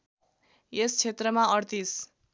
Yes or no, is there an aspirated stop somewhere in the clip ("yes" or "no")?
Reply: yes